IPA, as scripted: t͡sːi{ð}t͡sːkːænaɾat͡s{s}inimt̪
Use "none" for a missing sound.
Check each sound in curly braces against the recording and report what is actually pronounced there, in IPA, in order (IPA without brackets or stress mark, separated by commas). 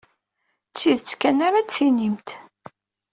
ð, θ